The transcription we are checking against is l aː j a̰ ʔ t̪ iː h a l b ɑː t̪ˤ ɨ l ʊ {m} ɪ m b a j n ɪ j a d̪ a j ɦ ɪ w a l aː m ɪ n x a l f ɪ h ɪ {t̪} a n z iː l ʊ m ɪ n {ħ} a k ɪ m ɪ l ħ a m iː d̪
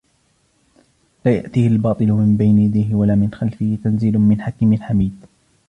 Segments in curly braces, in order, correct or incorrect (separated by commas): correct, correct, correct